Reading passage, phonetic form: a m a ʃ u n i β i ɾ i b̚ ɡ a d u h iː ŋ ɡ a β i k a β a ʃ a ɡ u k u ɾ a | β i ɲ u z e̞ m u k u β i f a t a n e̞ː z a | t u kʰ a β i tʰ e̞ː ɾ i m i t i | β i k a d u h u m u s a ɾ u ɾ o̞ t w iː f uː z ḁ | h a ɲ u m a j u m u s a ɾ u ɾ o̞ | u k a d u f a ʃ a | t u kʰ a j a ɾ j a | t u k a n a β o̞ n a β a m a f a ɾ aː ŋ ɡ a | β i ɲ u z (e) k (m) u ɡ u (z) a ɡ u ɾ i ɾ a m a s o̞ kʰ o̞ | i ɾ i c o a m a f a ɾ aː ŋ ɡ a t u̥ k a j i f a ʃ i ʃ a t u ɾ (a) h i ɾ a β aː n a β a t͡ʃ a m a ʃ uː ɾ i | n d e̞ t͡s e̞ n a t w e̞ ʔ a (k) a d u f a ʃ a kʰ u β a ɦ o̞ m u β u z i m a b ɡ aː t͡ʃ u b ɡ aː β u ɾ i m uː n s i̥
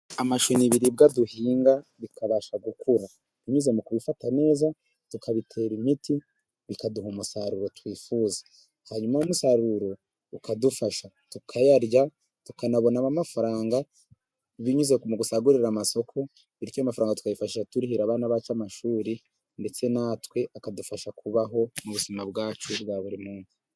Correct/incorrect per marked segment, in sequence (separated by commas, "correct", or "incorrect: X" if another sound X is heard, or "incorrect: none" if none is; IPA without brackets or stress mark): correct, correct, incorrect: s, incorrect: i, correct